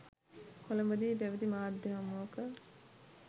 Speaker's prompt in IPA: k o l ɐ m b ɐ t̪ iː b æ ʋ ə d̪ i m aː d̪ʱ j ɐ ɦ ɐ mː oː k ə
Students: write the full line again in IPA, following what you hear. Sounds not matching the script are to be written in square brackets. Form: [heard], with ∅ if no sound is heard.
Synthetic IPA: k o l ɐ m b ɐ [d̪] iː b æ ʋ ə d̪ i m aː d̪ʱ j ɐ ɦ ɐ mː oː k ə